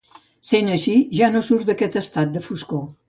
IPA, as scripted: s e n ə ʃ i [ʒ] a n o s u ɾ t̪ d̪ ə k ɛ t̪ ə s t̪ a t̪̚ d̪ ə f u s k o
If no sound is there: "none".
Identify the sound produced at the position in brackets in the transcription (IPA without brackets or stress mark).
ʒ